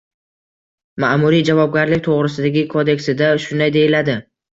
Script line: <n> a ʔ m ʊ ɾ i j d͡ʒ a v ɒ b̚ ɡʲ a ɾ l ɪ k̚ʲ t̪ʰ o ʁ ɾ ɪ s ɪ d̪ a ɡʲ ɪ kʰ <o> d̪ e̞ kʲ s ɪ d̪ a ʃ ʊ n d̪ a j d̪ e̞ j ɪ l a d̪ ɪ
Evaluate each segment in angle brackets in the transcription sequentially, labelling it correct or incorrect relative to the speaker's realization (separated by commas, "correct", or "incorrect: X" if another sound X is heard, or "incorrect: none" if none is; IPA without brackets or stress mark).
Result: incorrect: m, correct